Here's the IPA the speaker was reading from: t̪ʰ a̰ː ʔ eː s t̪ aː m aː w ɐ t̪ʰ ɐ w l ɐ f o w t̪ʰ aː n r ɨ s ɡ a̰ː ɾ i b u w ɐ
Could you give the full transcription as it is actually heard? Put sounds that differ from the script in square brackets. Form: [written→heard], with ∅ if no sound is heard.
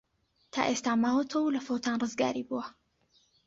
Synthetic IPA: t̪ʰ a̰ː ʔ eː s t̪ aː m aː w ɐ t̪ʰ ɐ w l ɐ f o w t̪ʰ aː n r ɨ [s→z] ɡ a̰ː ɾ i b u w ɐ